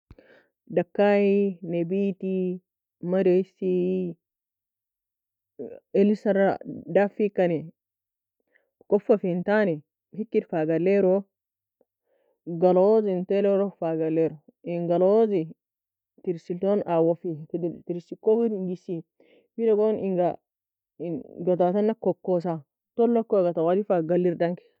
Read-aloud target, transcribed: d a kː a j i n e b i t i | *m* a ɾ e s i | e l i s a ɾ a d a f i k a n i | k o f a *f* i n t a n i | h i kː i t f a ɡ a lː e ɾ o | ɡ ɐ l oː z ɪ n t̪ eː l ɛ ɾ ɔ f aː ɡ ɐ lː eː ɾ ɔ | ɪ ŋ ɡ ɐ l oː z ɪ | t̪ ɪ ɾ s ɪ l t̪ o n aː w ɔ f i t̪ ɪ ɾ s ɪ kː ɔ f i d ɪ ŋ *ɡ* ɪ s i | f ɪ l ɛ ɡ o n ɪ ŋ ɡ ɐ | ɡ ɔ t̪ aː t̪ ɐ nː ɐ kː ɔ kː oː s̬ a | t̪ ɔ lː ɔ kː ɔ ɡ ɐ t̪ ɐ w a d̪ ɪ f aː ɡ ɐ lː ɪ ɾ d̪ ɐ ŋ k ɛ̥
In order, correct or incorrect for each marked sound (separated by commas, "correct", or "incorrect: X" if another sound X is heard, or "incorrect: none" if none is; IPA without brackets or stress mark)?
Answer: correct, correct, correct